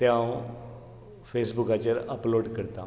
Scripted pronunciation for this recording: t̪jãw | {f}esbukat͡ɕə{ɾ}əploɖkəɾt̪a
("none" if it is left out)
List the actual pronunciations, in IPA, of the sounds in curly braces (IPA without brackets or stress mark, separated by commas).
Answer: f, ɾ